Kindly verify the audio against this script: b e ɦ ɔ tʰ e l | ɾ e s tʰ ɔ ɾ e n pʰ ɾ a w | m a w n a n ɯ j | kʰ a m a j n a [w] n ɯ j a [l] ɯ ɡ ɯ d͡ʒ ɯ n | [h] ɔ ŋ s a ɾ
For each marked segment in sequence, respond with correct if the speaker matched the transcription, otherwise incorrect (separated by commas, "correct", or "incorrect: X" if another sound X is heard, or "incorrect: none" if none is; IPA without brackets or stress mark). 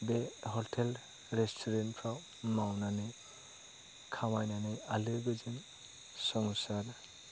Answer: incorrect: none, correct, incorrect: s